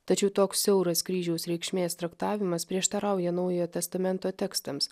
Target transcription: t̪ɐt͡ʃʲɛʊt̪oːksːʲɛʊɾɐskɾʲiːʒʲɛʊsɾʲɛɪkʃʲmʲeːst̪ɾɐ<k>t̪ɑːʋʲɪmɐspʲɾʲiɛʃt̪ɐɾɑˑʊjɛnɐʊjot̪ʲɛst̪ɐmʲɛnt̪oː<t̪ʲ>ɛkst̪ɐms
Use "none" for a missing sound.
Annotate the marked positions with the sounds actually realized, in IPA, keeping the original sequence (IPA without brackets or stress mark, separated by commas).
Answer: k, t̪ʲ